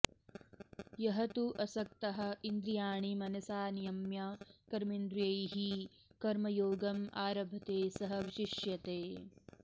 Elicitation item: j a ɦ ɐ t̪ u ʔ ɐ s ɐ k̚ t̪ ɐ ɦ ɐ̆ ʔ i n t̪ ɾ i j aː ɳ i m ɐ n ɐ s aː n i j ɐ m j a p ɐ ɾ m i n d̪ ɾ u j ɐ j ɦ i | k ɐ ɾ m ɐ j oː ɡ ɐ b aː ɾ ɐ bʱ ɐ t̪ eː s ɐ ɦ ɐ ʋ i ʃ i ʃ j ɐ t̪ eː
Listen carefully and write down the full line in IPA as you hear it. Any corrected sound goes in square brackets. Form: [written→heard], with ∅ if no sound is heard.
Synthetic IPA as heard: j [a→ɐ] ɦ ɐ t̪ u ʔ ɐ s ɐ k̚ t̪ ɐ ɦ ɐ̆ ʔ i n [t̪→d̪] ɾ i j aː ɳ i m ɐ n ɐ s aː n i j ɐ m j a [p→k] ɐ ɾ m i n d̪ ɾ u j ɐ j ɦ i | k ɐ ɾ m ɐ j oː ɡ ɐ [b→m] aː ɾ ɐ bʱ ɐ t̪ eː s ɐ ɦ ɐ ʋ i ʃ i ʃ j ɐ t̪ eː